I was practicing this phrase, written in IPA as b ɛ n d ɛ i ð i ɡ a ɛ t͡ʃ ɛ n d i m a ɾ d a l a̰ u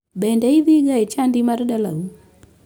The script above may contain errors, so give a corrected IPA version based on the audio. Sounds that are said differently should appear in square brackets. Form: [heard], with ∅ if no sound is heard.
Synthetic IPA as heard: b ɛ n d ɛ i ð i ɡ a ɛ t͡ʃ [a] n d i m a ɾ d a l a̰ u